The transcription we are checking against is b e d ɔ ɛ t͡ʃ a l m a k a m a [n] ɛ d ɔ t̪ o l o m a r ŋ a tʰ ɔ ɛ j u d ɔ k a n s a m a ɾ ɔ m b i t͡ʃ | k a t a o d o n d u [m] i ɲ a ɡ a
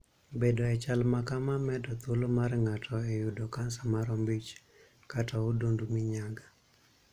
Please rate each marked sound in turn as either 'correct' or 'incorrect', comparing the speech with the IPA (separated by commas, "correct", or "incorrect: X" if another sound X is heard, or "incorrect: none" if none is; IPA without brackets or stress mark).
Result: incorrect: m, correct